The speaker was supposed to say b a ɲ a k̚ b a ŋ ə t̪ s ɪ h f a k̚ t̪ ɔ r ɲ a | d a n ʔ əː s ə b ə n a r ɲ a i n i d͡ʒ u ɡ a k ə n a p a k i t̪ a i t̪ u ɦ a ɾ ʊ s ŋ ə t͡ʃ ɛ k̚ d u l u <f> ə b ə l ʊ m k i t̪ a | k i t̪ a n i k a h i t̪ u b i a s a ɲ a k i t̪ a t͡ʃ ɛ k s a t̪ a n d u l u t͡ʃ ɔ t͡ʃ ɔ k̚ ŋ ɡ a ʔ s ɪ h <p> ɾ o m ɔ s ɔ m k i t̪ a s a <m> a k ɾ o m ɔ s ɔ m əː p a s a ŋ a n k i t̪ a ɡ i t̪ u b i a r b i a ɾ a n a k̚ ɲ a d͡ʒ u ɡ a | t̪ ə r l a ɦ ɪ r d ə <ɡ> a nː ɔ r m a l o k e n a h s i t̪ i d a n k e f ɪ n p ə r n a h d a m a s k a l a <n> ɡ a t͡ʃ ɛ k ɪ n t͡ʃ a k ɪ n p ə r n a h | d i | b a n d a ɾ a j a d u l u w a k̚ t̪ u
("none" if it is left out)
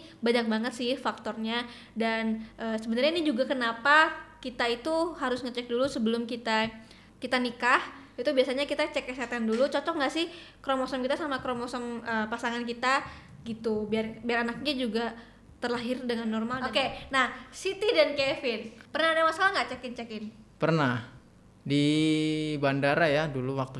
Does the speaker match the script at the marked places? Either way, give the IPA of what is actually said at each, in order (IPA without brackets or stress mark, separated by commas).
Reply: s, k, m, ŋ, ŋ